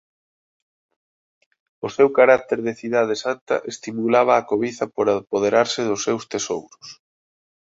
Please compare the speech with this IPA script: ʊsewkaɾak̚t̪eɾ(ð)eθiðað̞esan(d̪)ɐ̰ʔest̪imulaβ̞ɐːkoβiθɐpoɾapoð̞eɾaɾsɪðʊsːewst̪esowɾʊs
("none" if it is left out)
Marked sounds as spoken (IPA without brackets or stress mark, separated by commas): ð, t̪